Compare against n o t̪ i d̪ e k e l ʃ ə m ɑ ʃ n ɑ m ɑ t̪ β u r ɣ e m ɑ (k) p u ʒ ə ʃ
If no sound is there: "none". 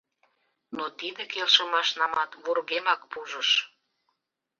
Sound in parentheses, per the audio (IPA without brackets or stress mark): k